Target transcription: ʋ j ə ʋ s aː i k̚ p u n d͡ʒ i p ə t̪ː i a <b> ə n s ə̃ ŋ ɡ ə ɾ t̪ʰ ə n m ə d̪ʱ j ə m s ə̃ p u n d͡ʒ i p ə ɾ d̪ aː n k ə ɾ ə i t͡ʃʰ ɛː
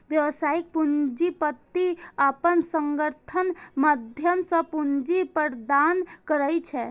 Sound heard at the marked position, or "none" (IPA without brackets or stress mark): p